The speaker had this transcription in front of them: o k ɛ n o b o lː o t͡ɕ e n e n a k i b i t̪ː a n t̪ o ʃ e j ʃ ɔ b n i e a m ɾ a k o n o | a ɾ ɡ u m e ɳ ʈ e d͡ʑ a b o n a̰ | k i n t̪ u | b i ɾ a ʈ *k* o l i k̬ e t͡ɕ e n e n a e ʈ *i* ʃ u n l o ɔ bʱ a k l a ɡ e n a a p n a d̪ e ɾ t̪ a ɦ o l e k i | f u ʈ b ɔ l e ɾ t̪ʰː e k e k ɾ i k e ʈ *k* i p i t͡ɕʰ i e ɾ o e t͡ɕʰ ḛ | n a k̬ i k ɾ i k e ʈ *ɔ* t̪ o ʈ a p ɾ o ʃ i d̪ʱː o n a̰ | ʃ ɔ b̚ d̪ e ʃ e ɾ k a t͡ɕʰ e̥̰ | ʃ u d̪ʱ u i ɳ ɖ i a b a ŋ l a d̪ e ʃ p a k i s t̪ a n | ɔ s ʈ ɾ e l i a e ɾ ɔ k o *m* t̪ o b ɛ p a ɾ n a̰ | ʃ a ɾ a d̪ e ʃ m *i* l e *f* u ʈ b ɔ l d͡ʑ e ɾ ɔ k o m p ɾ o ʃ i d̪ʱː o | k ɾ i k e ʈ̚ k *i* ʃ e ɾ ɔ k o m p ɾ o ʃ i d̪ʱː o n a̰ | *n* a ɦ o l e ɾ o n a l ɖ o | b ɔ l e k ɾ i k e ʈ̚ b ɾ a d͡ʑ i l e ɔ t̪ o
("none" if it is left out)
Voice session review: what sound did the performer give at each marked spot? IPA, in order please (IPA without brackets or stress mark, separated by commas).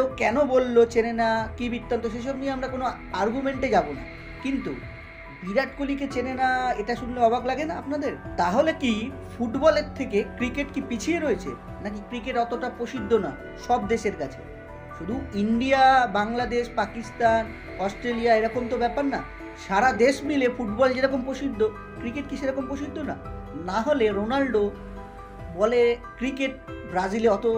k, a, k, ɔ, m, i, f, i, n